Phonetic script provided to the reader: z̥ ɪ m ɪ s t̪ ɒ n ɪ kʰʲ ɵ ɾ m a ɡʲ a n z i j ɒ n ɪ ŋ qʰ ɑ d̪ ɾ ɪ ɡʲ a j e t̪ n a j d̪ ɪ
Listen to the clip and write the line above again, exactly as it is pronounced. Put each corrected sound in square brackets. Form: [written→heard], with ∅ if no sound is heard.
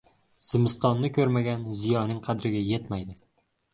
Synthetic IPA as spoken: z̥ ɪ m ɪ s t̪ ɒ [n→nː] ɪ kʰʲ ɵ ɾ m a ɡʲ a n z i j ɒ n ɪ ŋ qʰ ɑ d̪ ɾ ɪ ɡʲ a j e t̪ [n→m] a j d̪ ɪ